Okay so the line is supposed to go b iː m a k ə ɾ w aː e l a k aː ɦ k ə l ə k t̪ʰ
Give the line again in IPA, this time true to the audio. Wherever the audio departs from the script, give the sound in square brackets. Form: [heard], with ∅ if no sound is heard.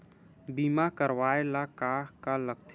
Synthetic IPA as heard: b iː m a k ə ɾ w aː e l a k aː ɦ k [a] l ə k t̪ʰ